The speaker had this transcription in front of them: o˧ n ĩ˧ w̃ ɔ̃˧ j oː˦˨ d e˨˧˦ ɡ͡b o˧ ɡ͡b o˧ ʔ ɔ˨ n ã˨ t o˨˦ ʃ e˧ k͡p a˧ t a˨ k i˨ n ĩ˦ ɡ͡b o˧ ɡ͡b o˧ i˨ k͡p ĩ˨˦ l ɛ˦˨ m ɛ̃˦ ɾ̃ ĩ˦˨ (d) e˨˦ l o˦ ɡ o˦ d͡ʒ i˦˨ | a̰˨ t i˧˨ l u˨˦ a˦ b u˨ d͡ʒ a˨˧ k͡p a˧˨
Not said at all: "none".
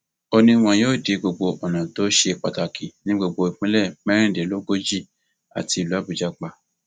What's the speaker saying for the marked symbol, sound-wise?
d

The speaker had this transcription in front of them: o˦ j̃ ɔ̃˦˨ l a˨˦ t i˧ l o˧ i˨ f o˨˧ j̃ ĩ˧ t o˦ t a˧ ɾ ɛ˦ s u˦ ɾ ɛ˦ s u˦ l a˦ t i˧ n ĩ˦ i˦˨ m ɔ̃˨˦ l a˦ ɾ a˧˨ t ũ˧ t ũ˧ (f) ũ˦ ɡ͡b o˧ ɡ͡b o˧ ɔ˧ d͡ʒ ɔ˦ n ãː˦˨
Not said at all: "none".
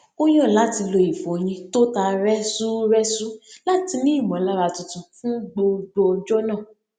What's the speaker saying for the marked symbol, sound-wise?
f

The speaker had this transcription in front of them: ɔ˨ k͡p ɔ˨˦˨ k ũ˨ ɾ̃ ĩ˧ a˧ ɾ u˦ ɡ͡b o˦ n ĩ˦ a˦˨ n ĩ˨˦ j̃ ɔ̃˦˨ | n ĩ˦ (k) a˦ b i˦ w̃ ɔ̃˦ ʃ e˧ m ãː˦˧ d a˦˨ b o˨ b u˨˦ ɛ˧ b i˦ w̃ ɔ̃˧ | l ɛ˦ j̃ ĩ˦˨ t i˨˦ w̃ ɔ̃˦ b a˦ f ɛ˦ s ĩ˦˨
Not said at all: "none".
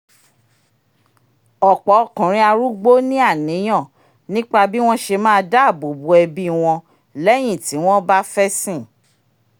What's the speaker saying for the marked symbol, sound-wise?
k͡p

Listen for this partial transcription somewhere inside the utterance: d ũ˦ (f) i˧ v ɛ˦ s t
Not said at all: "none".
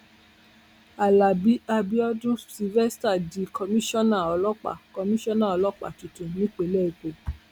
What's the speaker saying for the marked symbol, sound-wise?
s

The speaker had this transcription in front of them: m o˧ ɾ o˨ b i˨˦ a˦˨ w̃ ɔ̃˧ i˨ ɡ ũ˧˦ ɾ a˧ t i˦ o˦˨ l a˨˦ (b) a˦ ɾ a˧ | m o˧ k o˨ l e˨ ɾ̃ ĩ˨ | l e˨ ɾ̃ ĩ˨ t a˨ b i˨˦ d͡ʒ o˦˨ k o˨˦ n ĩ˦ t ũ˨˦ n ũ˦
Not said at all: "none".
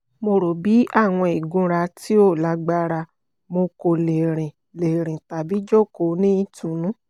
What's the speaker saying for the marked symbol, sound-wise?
ɡ͡b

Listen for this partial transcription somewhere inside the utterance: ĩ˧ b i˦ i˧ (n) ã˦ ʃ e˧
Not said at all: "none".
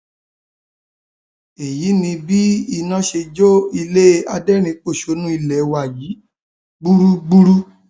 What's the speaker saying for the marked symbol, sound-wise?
n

